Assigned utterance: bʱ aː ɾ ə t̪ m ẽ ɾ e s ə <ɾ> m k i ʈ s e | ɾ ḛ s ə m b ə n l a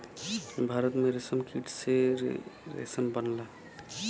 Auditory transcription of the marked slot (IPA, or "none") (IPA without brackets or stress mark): none